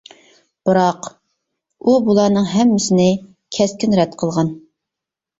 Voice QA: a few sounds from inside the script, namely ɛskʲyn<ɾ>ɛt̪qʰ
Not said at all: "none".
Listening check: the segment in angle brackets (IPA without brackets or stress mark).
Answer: ɾ